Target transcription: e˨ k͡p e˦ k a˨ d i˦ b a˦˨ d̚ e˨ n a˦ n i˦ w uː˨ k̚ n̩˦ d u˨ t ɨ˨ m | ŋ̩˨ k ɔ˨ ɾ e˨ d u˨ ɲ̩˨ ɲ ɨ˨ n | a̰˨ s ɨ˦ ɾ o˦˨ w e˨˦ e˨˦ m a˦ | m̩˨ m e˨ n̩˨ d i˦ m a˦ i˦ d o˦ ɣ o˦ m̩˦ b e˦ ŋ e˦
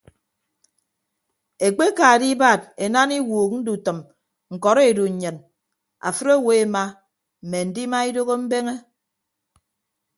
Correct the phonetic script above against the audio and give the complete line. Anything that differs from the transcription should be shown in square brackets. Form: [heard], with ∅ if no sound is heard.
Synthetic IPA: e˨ k͡p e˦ k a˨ d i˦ b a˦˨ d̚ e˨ n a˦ n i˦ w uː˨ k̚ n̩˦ d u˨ t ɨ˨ m | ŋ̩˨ k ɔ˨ ɾ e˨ d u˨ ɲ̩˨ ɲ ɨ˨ n | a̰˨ [f] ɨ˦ ɾ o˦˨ w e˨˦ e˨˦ m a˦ | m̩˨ m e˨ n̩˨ d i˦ m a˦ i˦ d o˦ ɣ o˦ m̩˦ b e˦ ŋ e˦